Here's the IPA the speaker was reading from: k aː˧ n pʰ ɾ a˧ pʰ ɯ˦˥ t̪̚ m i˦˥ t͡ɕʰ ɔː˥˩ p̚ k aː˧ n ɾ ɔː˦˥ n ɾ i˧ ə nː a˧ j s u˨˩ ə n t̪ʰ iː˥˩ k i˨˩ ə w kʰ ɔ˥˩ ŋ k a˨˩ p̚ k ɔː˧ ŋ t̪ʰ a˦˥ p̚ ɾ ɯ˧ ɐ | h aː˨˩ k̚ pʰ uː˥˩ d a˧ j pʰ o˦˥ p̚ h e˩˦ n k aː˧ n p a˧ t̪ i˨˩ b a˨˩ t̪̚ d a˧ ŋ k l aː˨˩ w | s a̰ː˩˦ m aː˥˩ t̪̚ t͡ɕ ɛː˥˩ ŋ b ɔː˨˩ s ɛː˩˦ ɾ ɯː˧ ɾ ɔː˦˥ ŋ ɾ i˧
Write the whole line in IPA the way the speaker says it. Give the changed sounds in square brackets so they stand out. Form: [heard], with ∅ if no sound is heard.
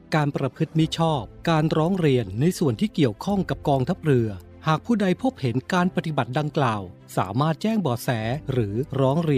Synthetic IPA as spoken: k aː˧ n [p] ɾ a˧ pʰ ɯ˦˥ t̪̚ m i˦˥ t͡ɕʰ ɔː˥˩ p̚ k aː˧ n ɾ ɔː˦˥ [ŋ] ɾ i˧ ə nː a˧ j s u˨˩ ə n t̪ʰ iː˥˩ k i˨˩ ə w kʰ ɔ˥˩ ŋ k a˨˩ p̚ k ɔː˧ ŋ t̪ʰ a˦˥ p̚ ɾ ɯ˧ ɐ | h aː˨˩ k̚ pʰ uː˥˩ d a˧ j pʰ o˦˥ p̚ h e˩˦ n k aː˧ n p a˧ t̪ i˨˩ b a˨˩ t̪̚ d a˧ ŋ k l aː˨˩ w | s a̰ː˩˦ m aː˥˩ t̪̚ t͡ɕ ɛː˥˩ ŋ b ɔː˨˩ s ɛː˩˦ ɾ [ɯː˩˦] ɾ ɔː˦˥ ŋ ɾ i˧